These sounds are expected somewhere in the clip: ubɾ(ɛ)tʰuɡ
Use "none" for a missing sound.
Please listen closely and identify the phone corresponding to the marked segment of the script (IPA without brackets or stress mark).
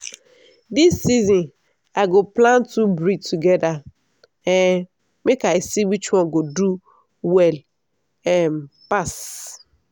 i